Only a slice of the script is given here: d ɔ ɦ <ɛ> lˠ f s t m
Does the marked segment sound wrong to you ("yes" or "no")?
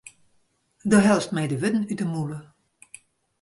no